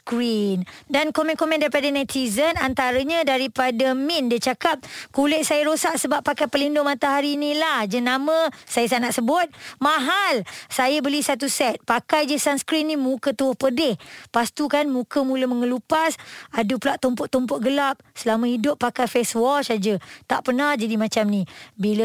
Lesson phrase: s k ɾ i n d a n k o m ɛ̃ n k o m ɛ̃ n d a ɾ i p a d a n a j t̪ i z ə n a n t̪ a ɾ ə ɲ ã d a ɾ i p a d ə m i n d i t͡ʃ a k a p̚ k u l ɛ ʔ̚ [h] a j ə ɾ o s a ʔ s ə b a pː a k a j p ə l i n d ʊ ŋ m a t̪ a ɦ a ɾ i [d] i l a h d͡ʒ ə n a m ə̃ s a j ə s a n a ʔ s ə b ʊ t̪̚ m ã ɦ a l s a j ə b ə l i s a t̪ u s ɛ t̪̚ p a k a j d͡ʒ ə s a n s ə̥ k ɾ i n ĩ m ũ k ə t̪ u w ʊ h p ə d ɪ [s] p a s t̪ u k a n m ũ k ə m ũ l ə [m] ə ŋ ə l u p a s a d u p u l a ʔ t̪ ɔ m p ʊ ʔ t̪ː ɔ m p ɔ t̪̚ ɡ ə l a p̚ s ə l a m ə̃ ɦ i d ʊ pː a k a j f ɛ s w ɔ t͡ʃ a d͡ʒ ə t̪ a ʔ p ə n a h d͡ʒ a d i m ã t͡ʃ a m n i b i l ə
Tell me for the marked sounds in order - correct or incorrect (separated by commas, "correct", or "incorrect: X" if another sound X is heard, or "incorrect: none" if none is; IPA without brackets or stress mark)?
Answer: incorrect: s, incorrect: n, incorrect: h, correct